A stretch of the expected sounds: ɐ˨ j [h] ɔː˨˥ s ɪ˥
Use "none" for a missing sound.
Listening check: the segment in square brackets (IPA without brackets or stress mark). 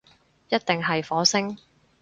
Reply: f